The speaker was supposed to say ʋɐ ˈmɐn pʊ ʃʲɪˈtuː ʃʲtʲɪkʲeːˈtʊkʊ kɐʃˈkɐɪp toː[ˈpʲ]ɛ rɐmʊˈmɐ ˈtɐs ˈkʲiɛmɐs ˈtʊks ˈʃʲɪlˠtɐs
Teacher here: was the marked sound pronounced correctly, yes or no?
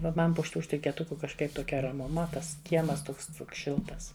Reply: no